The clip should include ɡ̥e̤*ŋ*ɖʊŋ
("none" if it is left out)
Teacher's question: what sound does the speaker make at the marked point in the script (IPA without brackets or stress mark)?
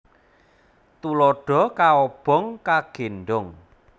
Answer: n